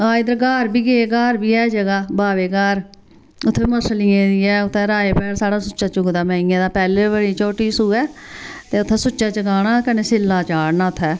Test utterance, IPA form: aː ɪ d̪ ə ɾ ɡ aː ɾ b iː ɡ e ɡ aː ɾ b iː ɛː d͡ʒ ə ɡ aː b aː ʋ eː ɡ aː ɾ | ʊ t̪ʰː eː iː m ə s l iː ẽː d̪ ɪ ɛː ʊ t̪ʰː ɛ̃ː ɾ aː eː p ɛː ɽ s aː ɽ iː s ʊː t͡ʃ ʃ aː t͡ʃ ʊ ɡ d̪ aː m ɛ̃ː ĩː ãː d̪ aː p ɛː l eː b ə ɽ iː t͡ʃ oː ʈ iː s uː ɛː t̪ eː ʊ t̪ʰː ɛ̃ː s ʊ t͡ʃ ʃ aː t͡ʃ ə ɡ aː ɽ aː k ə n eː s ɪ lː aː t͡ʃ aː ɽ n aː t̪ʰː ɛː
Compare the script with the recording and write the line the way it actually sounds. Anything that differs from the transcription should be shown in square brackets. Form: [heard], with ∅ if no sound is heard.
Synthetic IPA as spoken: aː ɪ d̪ ə ɾ ɡ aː ɾ b iː ɡ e ɡ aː ɾ b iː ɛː d͡ʒ ə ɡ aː b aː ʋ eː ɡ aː ɾ | ʊ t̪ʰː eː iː m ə s l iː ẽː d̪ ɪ ɛː ʊ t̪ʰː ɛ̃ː ɾ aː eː p ɛː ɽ s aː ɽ [aː] s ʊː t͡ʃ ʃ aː t͡ʃ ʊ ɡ d̪ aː m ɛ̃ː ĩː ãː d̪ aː p ɛː l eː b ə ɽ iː t͡ʃ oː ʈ iː s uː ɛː t̪ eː ʊ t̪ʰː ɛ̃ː s ʊ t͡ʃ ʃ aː t͡ʃ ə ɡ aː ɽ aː k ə n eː s ɪ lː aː t͡ʃ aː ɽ n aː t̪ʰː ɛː